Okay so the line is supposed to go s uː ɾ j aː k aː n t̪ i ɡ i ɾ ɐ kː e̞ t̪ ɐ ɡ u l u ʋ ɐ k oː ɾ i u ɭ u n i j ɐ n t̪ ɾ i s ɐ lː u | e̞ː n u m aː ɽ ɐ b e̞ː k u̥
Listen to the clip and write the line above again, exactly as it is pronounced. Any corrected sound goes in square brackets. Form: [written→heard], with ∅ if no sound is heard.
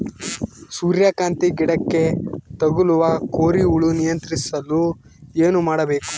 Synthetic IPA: s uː ɾ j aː k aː n t̪ i ɡ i [ɾ→ɽ] ɐ kː e̞ t̪ ɐ ɡ u l u ʋ ɐ k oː ɾ i u ɭ u n i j ɐ n t̪ ɾ i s ɐ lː u | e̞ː n u m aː ɽ ɐ b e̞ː k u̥